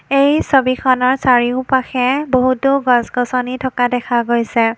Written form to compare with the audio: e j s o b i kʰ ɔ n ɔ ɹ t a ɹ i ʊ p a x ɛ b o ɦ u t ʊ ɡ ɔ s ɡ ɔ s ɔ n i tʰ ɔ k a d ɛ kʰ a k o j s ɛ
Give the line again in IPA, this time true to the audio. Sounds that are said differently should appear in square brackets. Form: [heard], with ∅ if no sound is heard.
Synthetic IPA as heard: e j s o b i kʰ ɔ n ɔ ɹ [s] a ɹ i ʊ p a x ɛ b o ɦ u t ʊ ɡ ɔ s ɡ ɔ s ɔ n i tʰ ɔ k a d ɛ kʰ a [ɡ] o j s ɛ